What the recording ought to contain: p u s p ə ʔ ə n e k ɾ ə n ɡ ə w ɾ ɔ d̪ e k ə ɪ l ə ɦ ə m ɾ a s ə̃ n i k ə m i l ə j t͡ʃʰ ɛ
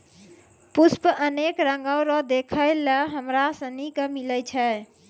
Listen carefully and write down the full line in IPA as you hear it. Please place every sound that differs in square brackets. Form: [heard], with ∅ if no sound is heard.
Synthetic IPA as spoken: p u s p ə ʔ ə n e k ɾ ə [ŋ] ɡ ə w ɾ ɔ d̪ e [kʰ] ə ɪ l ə ɦ ə m ɾ a s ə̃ n i k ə m i l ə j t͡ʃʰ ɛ